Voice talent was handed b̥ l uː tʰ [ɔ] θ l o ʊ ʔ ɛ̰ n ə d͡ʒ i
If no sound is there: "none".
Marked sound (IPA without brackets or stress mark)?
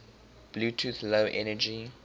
u